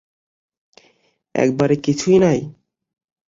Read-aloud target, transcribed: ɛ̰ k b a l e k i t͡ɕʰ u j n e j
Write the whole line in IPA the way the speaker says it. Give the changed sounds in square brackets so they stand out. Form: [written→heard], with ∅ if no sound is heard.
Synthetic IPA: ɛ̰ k b a [l→ɾ] e k i t͡ɕʰ u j n [e→a] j